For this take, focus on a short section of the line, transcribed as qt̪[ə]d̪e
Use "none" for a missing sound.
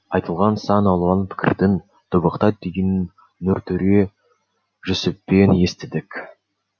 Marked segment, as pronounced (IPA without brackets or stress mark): ɑ